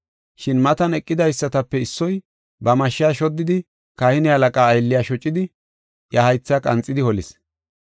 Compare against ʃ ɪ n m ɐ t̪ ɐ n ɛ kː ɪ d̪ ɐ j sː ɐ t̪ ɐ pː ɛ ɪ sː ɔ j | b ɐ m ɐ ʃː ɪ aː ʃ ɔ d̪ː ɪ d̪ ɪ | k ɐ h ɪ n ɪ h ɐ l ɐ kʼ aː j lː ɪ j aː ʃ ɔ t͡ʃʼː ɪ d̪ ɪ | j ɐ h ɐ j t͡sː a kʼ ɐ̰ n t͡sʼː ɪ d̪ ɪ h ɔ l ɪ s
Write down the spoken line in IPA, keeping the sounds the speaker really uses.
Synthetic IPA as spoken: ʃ ɪ n m ɐ t̪ ɐ n ɛ kʼː ɪ d̪ ɐ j sː ɐ t̪ ɐ pː ɛ ɪ sː ɔ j | b ɐ m ɐ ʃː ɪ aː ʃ ɔ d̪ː ɪ d̪ ɪ | k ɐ h ɪ n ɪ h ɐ l ɐ kʼ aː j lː ɪ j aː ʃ ɔ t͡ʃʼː ɪ d̪ ɪ | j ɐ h ɐ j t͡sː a kʼ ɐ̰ n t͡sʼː ɪ d̪ ɪ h ɔ l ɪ s